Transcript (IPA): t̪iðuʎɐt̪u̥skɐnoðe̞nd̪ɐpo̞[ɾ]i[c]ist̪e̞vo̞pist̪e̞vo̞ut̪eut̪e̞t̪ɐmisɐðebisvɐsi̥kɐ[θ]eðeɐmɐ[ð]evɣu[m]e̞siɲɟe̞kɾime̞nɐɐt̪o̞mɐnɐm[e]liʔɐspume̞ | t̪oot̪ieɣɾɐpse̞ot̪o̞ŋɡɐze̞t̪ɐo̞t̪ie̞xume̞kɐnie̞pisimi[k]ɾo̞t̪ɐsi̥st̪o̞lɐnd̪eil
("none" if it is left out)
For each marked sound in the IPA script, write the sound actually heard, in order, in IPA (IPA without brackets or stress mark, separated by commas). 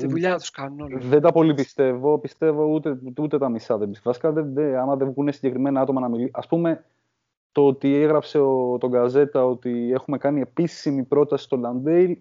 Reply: l, p, ð, ð, n, i, p